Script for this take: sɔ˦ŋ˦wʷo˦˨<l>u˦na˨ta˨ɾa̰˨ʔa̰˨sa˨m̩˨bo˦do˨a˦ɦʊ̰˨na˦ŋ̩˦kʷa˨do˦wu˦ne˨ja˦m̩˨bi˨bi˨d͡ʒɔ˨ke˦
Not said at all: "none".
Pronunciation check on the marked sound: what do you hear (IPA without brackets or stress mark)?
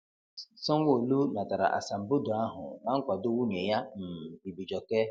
l